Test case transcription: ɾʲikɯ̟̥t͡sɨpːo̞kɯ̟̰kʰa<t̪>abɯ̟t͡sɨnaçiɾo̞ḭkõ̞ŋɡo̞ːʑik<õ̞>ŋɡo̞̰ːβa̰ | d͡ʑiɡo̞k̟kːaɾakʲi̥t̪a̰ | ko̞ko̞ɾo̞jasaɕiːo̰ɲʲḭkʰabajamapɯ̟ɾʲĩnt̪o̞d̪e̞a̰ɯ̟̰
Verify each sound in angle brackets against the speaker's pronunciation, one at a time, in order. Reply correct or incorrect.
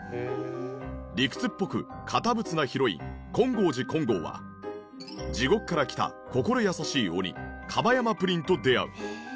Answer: correct, correct

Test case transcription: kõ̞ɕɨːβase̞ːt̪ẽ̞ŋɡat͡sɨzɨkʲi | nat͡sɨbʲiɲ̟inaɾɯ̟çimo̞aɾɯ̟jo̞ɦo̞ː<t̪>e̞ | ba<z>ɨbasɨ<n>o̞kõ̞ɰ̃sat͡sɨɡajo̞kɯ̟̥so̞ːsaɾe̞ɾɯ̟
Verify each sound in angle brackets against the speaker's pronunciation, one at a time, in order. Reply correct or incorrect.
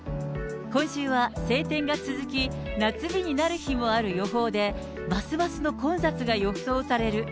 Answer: incorrect, incorrect, correct

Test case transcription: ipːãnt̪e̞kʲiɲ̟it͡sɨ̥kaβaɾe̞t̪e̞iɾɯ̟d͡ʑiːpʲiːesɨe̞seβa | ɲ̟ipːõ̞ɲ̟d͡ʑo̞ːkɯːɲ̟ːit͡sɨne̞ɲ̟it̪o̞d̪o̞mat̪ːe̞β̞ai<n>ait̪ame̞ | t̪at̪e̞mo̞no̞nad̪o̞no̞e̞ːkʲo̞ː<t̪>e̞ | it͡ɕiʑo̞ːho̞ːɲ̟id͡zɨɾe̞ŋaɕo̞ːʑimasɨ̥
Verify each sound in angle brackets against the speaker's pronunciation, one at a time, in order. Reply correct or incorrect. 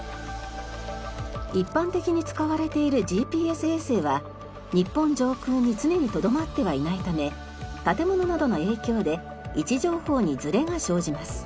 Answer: correct, incorrect

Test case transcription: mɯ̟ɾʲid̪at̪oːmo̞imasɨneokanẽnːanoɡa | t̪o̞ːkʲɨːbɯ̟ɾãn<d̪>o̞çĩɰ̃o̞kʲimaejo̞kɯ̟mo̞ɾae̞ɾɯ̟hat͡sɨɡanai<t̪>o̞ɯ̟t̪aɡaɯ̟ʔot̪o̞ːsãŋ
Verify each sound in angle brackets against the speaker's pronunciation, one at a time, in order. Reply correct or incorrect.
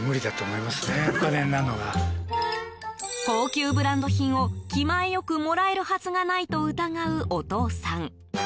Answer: correct, correct

